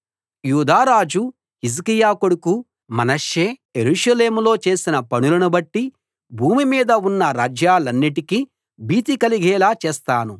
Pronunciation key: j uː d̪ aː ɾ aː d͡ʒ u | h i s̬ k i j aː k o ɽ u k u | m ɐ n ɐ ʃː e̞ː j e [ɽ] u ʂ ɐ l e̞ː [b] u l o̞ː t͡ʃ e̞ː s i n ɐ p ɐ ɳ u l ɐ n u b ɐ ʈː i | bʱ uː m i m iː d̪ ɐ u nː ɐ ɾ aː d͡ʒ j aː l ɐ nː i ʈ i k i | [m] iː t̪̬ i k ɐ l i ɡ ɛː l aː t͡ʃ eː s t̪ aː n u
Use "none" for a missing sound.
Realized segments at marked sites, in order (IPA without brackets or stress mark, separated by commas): ɾ, m, b